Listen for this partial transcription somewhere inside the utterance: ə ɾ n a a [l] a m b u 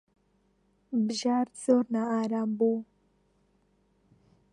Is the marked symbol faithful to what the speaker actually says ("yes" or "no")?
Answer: no